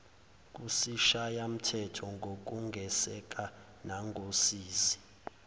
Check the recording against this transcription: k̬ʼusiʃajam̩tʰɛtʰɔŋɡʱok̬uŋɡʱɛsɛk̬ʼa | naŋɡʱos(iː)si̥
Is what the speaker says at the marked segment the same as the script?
yes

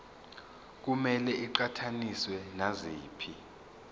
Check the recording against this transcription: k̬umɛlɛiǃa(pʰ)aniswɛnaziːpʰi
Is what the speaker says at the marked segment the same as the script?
no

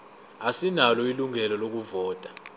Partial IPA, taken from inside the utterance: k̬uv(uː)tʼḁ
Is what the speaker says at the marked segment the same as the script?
no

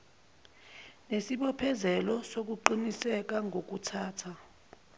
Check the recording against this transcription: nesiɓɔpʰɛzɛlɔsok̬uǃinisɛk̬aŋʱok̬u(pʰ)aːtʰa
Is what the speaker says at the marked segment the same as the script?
no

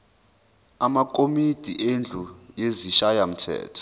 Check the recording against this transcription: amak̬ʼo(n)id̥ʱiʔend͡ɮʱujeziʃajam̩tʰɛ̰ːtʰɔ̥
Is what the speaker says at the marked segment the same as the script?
no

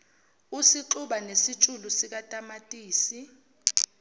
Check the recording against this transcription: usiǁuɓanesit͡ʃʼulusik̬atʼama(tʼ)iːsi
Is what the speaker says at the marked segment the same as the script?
yes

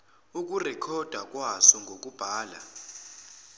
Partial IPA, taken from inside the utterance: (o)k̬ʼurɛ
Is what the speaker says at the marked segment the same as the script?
no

